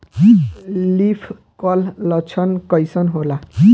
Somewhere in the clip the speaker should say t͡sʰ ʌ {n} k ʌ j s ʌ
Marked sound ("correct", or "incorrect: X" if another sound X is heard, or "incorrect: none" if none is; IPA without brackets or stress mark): correct